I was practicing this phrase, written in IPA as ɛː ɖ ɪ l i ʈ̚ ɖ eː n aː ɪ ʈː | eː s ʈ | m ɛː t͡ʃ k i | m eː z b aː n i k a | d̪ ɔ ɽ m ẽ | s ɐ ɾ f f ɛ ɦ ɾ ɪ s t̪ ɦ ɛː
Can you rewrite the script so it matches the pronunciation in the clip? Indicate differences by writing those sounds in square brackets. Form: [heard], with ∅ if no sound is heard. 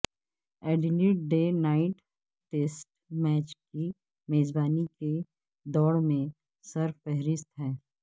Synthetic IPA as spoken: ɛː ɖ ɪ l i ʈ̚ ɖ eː n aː ɪ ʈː | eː s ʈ | m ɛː t͡ʃ k i | m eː z b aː n i k [e] | d̪ [ɔː] ɽ m ẽ | s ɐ ɾ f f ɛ ɦ ɾ ɪ s t̪ ɦ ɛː